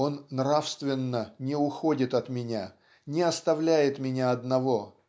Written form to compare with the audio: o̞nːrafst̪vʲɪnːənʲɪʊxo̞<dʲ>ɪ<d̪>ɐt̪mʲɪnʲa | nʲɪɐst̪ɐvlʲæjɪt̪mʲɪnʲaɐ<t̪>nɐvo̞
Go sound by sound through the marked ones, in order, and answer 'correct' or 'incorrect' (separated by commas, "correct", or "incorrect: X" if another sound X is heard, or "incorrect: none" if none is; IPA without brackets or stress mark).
correct, incorrect: t̪, incorrect: d̪